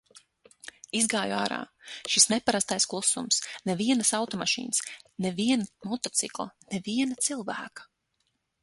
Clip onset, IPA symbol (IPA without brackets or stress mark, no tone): i